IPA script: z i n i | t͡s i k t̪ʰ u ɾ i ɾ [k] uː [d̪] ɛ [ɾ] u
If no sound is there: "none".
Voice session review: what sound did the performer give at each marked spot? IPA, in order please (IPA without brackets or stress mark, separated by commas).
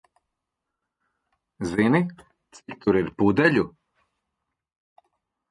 p, d̪, ʎ